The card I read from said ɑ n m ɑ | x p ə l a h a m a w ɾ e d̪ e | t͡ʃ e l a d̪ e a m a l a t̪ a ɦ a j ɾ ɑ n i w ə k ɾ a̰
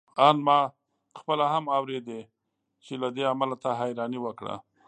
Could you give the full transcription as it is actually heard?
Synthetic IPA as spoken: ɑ n m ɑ | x p ə l a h a m a w ɾ e d̪ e | t͡ʃ e l a d̪ e a m a l a t̪ a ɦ a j ɾ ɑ n i w ə k ɽ a̰